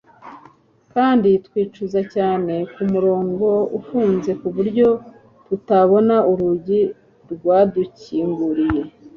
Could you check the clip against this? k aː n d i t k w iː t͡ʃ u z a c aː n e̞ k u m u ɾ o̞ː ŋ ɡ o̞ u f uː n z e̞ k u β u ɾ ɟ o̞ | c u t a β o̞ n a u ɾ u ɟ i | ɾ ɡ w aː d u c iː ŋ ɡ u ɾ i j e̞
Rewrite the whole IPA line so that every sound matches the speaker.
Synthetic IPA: k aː n d i t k w iː t͡ʃ u z a c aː n e̞ k u m u ɾ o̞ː ŋ ɡ o̞ u f uː n z e̞ k u β u ɾ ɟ o̞ | t u t a β o̞ n a u ɾ u ɟ i | ɾ ɡ w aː d u c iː ŋ ɡ u ɾ i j e̞